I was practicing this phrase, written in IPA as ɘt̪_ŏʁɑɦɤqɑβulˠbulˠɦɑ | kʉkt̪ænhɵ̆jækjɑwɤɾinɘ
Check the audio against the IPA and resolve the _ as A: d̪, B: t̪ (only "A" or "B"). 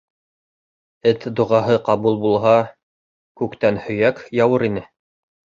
A